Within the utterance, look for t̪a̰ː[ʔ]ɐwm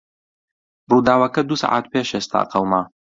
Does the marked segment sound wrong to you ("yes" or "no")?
yes